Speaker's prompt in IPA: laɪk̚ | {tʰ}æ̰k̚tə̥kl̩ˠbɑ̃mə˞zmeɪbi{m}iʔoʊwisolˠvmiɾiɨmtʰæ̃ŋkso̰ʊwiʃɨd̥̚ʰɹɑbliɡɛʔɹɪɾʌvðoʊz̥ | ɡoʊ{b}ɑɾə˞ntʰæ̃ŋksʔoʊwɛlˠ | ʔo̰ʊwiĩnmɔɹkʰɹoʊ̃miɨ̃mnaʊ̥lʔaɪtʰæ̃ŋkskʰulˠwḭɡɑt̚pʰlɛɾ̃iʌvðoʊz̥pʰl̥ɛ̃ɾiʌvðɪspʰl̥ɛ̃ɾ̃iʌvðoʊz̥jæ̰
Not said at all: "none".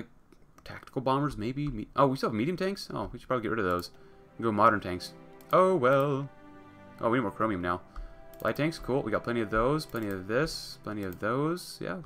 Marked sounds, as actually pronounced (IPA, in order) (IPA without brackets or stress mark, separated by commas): tʰ, m, m